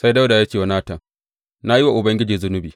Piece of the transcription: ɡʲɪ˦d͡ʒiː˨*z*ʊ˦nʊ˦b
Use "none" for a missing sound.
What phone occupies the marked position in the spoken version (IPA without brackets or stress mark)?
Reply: z